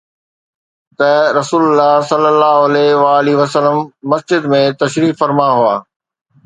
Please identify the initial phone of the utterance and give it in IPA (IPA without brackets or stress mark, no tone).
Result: t̪